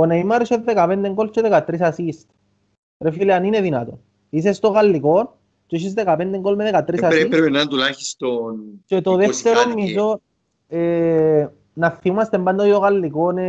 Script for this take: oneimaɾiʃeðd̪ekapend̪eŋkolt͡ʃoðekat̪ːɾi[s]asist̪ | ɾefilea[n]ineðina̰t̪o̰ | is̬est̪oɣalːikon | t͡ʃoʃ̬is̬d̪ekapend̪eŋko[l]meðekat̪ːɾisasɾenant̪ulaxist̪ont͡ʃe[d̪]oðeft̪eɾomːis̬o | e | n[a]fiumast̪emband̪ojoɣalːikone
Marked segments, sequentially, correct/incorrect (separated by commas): correct, correct, correct, incorrect, correct